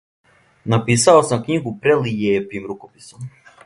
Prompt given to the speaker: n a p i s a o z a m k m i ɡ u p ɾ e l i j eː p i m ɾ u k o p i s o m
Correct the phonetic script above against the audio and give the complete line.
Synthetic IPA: n a p i s a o s a m k ɲ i ɡ u p ɾ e l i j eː p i m ɾ u k o p i s o m

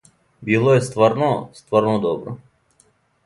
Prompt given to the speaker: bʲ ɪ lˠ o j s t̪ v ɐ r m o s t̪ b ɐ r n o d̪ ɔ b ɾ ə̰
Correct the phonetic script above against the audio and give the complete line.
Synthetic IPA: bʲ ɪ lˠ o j s t̪ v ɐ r n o s t̪ v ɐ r n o d̪ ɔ b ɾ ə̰

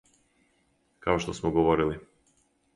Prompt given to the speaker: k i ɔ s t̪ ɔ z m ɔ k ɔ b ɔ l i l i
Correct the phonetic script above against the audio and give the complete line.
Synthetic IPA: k a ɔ ʃ t̪ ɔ s m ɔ ɡ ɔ v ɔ ɾ i l i

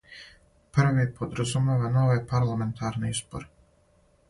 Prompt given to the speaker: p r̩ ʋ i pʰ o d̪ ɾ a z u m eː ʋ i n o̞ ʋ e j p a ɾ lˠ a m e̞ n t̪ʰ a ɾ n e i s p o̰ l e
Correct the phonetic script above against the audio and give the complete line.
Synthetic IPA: p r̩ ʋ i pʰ o d̪ ɾ a z u m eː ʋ a n o̞ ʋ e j p a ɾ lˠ a m e̞ n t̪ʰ a ɾ n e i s p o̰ ɾ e

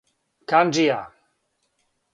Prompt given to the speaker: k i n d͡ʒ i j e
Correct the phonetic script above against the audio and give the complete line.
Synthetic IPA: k a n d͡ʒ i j a

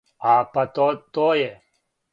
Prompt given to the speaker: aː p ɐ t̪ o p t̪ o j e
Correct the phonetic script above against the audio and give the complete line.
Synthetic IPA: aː p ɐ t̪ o t̪ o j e

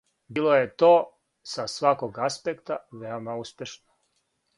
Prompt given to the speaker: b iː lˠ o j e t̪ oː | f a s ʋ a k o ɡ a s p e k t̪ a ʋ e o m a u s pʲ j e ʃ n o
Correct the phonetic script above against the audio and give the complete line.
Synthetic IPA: b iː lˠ o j e t̪ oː | s a s ʋ a k o ɡ a s p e k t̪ a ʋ e o m a u s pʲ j e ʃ n o

